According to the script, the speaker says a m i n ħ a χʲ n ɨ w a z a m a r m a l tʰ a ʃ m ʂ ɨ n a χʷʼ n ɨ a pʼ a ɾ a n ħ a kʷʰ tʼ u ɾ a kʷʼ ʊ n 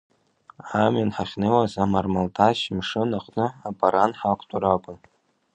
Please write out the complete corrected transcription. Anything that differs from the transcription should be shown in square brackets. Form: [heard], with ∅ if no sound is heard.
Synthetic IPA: a m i n ħ a χʲ n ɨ w a z a m a r m a l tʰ a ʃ m ʂ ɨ n a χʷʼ n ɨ a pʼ a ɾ a n ħ a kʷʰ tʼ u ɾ a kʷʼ ʊ n

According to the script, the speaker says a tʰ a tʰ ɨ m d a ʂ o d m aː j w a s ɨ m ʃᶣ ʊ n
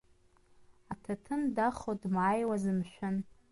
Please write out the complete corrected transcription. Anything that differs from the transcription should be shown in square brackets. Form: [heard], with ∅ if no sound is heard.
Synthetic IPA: a tʰ a tʰ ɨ [n] d a [χ] o d m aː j w a [z] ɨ m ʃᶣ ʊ n

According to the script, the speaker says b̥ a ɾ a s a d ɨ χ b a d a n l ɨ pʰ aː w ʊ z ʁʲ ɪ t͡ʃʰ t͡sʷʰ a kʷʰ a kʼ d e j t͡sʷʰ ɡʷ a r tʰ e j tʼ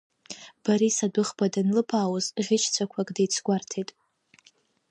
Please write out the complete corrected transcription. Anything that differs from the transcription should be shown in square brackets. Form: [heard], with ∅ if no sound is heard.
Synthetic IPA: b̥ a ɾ [i] s a d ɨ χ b a d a n l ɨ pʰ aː w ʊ z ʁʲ ɪ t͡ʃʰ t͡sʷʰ a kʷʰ a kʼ d e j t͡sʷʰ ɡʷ a r tʰ e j tʼ

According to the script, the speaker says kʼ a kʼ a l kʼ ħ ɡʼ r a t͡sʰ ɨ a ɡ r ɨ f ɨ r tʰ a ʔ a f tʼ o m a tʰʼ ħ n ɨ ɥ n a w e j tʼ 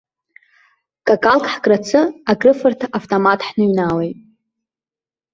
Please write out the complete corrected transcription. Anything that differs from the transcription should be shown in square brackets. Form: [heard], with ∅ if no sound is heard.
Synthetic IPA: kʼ a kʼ a l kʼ ħ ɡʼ r a t͡sʰ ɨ a ɡ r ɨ f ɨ r tʰ a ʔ a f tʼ o m a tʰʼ ħ n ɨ ɥ n a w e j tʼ

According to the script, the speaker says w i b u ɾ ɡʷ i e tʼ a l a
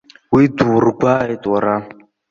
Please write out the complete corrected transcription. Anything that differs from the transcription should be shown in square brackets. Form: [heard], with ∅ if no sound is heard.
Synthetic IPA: w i [d] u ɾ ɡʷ [a] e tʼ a [ɾ] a

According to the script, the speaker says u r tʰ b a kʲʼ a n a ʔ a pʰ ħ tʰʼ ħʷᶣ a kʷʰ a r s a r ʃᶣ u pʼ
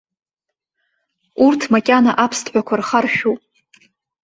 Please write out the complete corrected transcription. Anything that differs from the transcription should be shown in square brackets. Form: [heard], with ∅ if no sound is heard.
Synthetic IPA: u r tʰ [m] a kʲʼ a n a ʔ a pʰ [s] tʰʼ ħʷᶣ a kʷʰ a r [χ] a r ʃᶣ u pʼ

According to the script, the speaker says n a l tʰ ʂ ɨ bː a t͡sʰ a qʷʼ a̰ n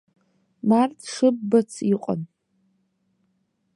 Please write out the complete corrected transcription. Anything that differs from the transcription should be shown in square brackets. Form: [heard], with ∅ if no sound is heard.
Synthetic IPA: [m] a [r] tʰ ʂ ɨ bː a t͡sʰ [i] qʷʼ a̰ n

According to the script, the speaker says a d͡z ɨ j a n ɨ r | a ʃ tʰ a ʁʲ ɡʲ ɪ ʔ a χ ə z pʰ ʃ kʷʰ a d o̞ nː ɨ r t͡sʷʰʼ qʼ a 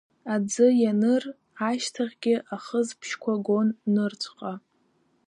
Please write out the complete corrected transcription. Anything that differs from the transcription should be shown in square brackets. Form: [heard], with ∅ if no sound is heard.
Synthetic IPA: a d͡z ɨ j a n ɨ r | a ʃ tʰ a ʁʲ ɡʲ ɪ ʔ a χ ə z pʰ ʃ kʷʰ a [ɡ] o̞ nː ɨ r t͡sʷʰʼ qʼ a

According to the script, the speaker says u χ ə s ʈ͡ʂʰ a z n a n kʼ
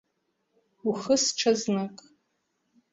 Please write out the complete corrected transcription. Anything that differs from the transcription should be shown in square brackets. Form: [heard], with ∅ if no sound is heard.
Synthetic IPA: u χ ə s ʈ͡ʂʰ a z n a [∅] kʼ

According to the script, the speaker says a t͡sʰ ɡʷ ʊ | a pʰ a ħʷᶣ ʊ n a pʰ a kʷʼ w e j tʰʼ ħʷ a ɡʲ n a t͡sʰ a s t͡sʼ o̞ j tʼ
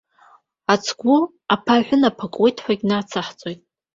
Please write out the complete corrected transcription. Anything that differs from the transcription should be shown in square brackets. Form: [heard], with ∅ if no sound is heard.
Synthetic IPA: a t͡sʰ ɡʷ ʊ | a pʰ a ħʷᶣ ʊ n a pʰ a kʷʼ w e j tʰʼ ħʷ a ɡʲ n a t͡sʰ a [ħ] t͡sʼ o̞ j tʼ

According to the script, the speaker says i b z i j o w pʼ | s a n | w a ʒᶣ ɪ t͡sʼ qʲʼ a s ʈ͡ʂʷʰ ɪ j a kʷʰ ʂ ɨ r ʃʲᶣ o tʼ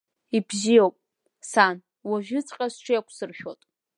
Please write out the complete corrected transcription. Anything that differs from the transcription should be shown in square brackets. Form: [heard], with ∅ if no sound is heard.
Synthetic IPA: i b z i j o w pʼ | s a n | w a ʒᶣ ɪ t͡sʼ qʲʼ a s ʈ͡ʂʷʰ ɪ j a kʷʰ [s] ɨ r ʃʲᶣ o tʼ

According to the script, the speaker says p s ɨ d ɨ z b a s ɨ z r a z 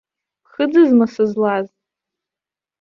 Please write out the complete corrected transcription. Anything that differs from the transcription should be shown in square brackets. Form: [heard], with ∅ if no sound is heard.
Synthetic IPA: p [χ] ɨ [d͡z] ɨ z [m] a s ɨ z [l] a z

